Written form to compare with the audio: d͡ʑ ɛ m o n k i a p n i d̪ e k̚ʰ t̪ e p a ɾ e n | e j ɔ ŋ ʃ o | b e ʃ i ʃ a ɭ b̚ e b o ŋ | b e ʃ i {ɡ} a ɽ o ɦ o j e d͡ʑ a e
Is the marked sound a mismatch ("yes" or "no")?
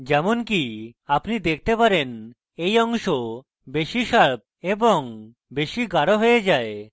no